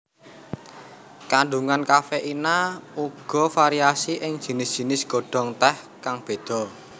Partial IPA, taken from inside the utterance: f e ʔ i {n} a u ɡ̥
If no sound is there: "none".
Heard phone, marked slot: n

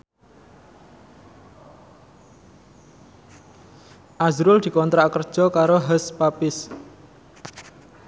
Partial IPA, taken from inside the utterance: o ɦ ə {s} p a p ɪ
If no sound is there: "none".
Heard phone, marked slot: s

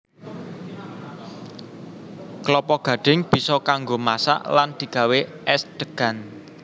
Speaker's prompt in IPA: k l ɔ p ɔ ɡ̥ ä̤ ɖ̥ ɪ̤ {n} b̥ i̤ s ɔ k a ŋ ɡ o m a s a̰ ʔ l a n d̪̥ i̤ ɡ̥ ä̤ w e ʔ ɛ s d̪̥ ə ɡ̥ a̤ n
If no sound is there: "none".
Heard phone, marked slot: ŋ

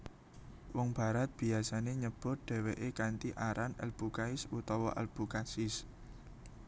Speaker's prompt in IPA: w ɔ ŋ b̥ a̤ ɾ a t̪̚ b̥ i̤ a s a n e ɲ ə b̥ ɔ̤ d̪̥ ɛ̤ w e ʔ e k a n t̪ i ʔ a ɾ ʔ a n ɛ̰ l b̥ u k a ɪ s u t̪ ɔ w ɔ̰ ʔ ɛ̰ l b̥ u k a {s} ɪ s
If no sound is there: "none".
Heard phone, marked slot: s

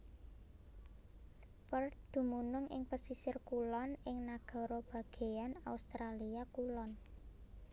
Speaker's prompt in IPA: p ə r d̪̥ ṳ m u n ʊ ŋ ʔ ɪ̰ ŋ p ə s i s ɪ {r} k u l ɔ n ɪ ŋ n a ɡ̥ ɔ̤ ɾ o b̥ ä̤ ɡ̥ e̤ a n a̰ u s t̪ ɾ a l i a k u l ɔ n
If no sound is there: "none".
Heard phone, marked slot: r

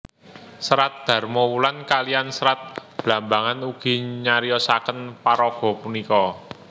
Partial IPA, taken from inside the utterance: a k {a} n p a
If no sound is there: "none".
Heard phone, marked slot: ə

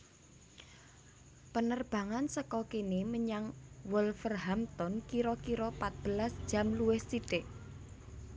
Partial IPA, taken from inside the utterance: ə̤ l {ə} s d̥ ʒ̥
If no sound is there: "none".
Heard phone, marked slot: a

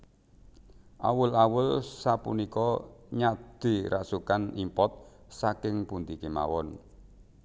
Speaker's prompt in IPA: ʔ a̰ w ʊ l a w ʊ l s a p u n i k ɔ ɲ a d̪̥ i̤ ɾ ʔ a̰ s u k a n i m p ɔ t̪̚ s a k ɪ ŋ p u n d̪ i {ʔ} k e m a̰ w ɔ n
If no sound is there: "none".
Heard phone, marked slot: none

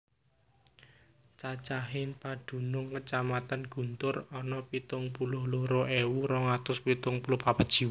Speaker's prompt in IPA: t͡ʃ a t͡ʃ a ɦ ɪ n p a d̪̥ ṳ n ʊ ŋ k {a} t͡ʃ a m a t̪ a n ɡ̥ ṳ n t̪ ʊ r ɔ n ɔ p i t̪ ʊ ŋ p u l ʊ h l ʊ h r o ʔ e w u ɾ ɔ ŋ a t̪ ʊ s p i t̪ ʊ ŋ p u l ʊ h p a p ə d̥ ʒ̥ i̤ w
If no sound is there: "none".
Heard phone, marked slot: ə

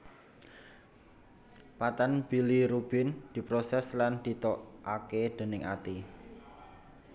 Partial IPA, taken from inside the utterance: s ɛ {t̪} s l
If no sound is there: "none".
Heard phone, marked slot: none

